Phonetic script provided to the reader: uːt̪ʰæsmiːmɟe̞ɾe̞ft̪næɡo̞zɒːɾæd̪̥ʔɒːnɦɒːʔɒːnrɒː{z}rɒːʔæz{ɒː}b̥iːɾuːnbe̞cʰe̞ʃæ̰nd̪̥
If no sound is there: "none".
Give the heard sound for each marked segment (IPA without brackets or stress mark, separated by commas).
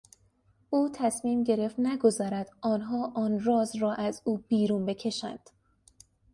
z, uː